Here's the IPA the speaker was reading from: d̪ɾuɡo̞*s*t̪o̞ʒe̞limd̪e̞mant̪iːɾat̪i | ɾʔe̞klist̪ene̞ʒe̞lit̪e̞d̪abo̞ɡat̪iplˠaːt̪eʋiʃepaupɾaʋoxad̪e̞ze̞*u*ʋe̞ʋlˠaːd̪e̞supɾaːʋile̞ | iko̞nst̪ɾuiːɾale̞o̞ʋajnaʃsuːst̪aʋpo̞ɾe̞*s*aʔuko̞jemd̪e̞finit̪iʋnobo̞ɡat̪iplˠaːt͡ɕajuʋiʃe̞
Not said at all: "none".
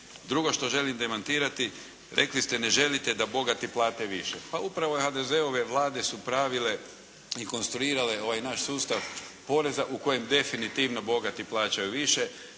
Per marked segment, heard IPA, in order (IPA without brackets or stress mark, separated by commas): ʃ, o, z